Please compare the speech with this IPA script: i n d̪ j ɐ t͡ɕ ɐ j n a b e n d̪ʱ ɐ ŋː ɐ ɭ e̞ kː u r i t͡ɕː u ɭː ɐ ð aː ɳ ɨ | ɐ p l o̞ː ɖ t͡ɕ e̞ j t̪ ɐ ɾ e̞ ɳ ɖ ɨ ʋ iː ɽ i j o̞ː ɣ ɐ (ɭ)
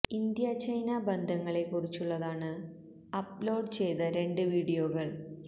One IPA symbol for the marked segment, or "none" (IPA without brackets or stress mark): ɭ